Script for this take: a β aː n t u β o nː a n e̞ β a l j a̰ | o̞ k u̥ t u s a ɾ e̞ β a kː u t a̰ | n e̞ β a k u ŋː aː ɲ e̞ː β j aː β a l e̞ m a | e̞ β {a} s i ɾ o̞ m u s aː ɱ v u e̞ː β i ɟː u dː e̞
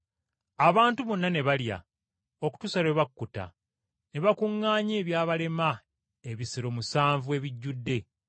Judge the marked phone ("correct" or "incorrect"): incorrect